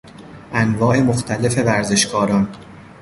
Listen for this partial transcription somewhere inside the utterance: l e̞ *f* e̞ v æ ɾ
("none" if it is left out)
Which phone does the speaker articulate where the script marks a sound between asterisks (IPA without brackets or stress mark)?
f